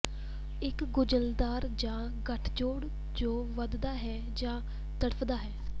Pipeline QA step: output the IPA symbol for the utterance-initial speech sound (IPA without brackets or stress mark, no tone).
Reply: ɪ